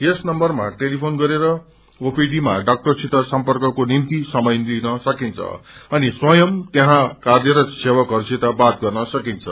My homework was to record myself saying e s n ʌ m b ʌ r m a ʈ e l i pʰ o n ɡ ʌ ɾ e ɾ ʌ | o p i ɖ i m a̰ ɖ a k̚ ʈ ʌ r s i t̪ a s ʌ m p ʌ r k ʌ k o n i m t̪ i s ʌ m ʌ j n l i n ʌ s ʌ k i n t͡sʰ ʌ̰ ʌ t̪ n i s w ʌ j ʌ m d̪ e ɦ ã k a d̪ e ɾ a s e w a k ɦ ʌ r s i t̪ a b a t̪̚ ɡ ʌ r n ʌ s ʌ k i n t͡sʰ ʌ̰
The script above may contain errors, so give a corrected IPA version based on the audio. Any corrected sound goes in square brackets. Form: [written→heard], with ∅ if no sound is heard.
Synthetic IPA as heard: e s n ʌ m b ʌ r m a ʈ e l i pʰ o n ɡ ʌ ɾ e ɾ ʌ | o p i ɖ i m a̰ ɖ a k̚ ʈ ʌ r s i t̪ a s ʌ m p ʌ r k ʌ k o n i m t̪ i s ʌ m ʌ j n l i n ʌ s ʌ k i n t͡sʰ ʌ̰ ʌ [t̪→∅] n i s w ʌ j ʌ m [d̪→t̪] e ɦ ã k a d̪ e ɾ [a→ʌ] s e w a k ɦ ʌ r s i t̪ a b a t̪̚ ɡ ʌ r n ʌ s ʌ k i n t͡sʰ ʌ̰

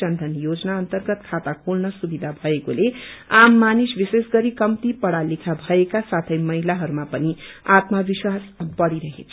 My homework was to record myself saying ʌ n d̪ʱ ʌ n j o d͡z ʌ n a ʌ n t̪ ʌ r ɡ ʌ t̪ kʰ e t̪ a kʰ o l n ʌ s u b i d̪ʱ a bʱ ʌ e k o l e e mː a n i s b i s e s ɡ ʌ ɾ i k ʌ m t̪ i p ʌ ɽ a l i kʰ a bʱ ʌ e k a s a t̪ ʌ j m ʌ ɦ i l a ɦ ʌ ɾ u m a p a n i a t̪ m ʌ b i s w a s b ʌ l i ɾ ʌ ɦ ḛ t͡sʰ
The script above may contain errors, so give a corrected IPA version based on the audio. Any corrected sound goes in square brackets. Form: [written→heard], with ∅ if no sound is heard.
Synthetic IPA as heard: ʌ n d̪ʱ ʌ n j o d͡z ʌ n a ʌ n t̪ ʌ r ɡ ʌ t̪ kʰ [e→a] t̪ a kʰ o l n ʌ s u b i d̪ʱ a bʱ ʌ e k o l e [e→a] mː a n i s b i s e s ɡ ʌ ɾ i k ʌ m t̪ i p ʌ ɽ a l i kʰ a bʱ ʌ e k a s a [t̪→t̪ʰ] ʌ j m ʌ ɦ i l a ɦ ʌ ɾ u m a p [a→ʌ] n i a t̪ m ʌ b i s w a s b ʌ [l→ɽ] i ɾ ʌ ɦ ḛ t͡sʰ

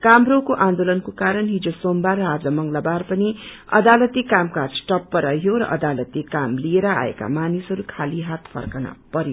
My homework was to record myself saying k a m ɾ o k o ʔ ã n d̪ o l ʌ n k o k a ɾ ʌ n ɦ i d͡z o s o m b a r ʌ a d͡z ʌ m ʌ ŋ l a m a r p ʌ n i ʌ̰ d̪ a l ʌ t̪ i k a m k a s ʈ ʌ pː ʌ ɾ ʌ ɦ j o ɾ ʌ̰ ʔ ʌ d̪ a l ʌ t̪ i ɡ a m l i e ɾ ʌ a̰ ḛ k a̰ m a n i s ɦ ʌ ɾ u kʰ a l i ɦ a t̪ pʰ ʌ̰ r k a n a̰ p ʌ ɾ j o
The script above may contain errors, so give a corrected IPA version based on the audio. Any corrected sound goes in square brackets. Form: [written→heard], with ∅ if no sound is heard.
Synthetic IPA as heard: k a m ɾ o k o ʔ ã n d̪ o l ʌ n k o k a ɾ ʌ n ɦ i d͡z o s o m b a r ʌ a d͡z ʌ m ʌ ŋ l a [m→b] a r p ʌ n i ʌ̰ d̪ a l ʌ t̪ i k a m k a s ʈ ʌ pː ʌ ɾ ʌ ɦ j o ɾ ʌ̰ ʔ ʌ d̪ a l ʌ t̪ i [ɡ→k] a m l i e ɾ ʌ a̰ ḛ k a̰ m a n i s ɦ ʌ ɾ u kʰ a l i ɦ a t̪ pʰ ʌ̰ r k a n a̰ p ʌ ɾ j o

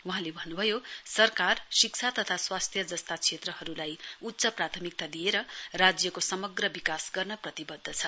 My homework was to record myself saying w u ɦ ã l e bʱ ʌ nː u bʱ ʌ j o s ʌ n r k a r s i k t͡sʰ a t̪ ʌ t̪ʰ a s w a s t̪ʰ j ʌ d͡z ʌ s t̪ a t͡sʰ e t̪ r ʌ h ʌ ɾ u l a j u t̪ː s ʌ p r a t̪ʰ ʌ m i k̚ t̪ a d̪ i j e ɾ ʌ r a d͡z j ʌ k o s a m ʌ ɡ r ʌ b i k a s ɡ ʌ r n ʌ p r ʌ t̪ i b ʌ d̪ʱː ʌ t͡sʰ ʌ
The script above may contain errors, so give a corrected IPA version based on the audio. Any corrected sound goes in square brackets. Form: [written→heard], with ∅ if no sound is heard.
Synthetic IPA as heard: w u ɦ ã l e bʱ ʌ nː u bʱ ʌ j o s ʌ [n→∅] r k a r s i k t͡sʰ a t̪ ʌ t̪ʰ a s w a s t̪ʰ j ʌ d͡z ʌ s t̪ a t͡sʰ e t̪ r ʌ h ʌ ɾ u l a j u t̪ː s ʌ p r a t̪ʰ ʌ m i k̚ t̪ a d̪ i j e ɾ ʌ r a d͡z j ʌ k o s [a→ʌ] m ʌ ɡ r ʌ b i k a s ɡ ʌ r n ʌ p r ʌ t̪ i b ʌ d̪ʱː ʌ t͡sʰ ʌ

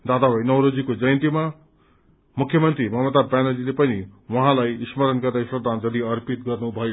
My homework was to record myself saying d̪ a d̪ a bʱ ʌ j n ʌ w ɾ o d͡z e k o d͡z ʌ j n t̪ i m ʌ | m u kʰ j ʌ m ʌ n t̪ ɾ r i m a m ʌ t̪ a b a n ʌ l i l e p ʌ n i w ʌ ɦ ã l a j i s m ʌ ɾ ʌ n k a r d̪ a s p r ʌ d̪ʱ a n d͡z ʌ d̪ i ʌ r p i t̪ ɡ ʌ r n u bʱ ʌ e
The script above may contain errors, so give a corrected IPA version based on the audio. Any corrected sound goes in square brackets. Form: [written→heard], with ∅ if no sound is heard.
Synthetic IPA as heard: d̪ a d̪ a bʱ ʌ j n ʌ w ɾ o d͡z [e→i] k o d͡z ʌ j n t̪ i m [ʌ→a] | m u kʰ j ʌ m ʌ n t̪ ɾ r i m [a→ʌ] m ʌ t̪ a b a n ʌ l i l e p ʌ n i w ʌ ɦ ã l a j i s m ʌ ɾ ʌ n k [a→ʌ] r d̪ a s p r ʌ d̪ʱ a n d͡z ʌ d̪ i ʌ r p i t̪ ɡ ʌ r n u bʱ ʌ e

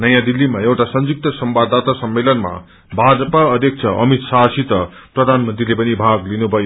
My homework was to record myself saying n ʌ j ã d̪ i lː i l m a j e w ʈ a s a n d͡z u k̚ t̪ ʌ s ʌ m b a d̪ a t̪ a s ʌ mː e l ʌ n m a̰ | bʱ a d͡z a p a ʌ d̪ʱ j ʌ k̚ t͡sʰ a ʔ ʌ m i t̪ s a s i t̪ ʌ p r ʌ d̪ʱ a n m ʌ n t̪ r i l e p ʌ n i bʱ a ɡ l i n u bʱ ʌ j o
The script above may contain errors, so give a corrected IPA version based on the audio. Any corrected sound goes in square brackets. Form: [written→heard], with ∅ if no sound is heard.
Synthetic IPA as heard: n ʌ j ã d̪ i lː i [l→∅] m a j e w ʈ a s [a→ʌ] n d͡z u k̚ t̪ ʌ s ʌ m b a d̪ a t̪ a s ʌ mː e l ʌ n m a̰ | bʱ a d͡z [a→ʌ] p a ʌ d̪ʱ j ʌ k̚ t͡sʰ [a→ʌ] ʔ ʌ m i t̪ s a s i t̪ ʌ p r ʌ d̪ʱ a n m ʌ n t̪ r i l e p ʌ n i bʱ a ɡ l i n u bʱ ʌ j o

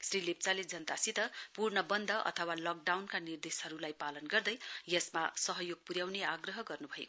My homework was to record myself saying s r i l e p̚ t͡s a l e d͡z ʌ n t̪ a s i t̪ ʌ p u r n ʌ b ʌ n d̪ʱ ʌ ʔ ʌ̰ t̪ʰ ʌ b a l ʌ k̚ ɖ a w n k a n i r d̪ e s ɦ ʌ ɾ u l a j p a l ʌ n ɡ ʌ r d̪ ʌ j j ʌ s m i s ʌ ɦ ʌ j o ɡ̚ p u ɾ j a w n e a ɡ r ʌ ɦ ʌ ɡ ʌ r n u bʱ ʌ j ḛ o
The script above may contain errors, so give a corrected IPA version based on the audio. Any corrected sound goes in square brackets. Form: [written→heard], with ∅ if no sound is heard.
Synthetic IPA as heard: s r i l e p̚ t͡s a l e d͡z ʌ n t̪ a s i t̪ ʌ p u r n ʌ b ʌ n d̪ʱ ʌ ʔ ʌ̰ t̪ʰ ʌ [b→w] a l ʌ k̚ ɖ a w n k a n i r d̪ e s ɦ ʌ ɾ u l a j p a l ʌ n ɡ ʌ r d̪ ʌ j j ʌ s m [i→a] s ʌ ɦ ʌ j o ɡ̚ p u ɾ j a w n e a ɡ r ʌ ɦ ʌ ɡ ʌ r n u bʱ ʌ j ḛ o

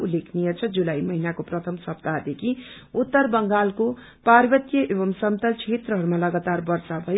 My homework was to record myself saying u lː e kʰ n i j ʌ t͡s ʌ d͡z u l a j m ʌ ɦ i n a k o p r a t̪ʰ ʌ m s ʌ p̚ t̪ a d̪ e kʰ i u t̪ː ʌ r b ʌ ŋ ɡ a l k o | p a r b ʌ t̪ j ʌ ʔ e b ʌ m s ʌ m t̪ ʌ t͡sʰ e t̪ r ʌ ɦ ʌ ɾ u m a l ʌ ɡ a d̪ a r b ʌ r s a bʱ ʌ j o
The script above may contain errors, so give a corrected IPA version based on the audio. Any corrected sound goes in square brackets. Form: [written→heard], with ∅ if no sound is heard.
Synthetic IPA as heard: u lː e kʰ n i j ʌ [t͡s→t͡sʰ] ʌ d͡z u l a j m ʌ ɦ i n a k o p r [a→ʌ] t̪ʰ ʌ m s ʌ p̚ t̪ a d̪ e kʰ i u t̪ː ʌ r b ʌ ŋ ɡ a l k o | p a r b ʌ t̪ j ʌ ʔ e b ʌ m s ʌ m t̪ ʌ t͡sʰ e t̪ r ʌ ɦ ʌ ɾ u m a l ʌ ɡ a [d̪→t̪] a r b ʌ r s a bʱ ʌ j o

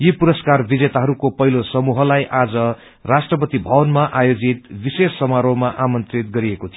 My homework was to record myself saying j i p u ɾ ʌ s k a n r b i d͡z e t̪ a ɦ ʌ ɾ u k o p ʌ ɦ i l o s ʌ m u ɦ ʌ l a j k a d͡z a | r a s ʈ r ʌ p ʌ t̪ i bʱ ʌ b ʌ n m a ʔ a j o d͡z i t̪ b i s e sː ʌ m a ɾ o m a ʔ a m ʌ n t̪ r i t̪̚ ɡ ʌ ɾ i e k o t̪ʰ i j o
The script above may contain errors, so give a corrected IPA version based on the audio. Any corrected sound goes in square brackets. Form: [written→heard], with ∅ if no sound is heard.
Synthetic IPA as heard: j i p u ɾ ʌ s k a [n→∅] r b i d͡z e t̪ a ɦ ʌ ɾ u k o p ʌ ɦ i l o s ʌ m u ɦ ʌ l a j [k→ʔ] a d͡z [a→ʌ] | r a s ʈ r ʌ p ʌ t̪ i bʱ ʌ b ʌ n m a ʔ a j o d͡z i t̪ b i s e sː ʌ m a ɾ o m a ʔ a m ʌ n t̪ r i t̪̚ ɡ ʌ ɾ i e k o t̪ʰ i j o

